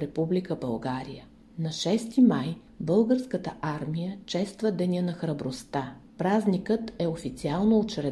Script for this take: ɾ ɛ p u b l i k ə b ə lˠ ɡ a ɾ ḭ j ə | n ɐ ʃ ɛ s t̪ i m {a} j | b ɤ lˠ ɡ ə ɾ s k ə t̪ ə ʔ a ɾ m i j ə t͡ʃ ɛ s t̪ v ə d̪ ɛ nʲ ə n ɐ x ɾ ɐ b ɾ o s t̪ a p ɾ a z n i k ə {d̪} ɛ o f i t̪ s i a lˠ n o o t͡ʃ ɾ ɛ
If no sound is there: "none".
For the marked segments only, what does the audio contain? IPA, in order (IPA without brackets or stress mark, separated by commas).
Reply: a, t̪